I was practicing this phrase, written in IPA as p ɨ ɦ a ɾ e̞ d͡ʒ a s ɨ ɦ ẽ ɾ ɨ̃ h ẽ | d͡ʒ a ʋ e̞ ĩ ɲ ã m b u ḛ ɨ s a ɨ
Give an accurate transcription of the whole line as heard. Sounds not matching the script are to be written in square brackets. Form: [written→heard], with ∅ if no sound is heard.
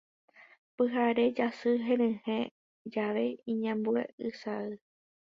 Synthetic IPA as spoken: p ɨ ɦ a ɾ e̞ d͡ʒ a s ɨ ɦ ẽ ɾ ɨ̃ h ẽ | d͡ʒ a ʋ e̞ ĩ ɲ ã m b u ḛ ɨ s a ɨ